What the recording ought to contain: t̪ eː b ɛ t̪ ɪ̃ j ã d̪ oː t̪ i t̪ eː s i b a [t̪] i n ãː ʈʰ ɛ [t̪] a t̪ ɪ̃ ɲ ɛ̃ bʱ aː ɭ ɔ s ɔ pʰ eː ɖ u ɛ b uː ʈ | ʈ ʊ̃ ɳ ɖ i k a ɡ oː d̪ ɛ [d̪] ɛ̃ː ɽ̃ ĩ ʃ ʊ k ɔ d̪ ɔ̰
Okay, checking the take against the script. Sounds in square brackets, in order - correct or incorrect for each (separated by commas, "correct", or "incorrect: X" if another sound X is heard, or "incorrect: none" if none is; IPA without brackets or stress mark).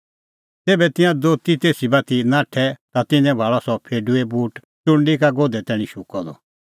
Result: correct, correct, incorrect: t̪